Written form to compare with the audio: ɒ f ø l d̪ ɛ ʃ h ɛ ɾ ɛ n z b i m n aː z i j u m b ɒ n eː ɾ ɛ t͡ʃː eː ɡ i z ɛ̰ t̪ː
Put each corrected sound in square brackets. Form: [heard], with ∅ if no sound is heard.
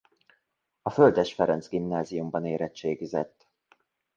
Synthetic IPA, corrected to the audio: ɒ f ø l d̪ ɛ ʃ [f] ɛ ɾ ɛ n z [ɡ] i m n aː z i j u m b ɒ n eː ɾ ɛ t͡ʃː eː ɡ i z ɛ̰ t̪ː